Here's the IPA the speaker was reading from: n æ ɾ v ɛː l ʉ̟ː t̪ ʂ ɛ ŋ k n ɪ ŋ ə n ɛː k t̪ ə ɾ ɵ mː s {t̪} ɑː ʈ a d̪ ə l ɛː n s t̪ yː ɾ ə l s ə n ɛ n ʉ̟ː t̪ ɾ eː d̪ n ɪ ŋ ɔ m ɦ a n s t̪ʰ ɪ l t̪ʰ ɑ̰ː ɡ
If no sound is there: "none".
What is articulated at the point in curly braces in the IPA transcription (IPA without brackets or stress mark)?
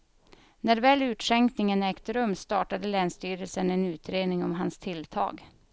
t̪